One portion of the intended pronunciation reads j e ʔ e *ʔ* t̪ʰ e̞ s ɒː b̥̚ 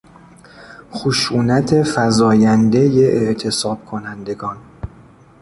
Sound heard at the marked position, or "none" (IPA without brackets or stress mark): ʔ